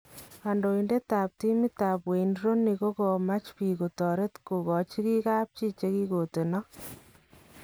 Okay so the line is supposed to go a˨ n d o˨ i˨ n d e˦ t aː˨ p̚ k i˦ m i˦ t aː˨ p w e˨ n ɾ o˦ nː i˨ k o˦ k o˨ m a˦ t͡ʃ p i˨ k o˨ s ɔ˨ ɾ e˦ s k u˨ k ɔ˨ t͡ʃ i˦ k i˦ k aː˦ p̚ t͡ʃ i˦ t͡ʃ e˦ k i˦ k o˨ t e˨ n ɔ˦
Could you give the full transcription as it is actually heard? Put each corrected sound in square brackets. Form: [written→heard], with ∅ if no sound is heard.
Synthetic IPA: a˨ n d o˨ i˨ n d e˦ t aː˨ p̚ [k→t] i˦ m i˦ t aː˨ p w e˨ n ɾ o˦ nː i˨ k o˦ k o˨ m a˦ t͡ʃ p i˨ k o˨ [s→t] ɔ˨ ɾ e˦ [s→t] k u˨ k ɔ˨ t͡ʃ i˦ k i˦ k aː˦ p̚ t͡ʃ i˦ t͡ʃ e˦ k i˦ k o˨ t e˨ n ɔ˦